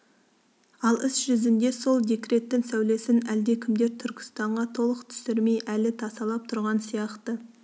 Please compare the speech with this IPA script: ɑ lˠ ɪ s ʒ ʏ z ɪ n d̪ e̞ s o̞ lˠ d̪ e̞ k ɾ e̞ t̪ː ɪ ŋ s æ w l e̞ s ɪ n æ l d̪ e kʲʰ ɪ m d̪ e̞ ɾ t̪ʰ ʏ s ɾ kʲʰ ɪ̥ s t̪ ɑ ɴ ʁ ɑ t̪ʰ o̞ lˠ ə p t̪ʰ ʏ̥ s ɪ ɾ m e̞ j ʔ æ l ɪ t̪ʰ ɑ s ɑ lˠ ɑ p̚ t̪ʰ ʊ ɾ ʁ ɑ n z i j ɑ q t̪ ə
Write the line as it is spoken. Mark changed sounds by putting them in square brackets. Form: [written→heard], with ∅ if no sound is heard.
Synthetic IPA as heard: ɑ lˠ ɪ s ʒ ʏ z ɪ n d̪ e̞ s o̞ lˠ d̪ e̞ k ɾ e̞ t̪ː ɪ ŋ s æ w l e̞ s ɪ n æ l d̪ e kʲʰ ɪ m d̪ e̞ ɾ t̪ʰ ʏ [s→∅] ɾ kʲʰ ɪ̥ s t̪ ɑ ɴ ʁ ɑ t̪ʰ o̞ lˠ ə [p→q] t̪ʰ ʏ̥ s ɪ ɾ m e̞ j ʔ æ l ɪ t̪ʰ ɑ s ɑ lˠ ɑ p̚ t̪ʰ ʊ ɾ ʁ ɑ n [z→s] i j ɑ q t̪ ə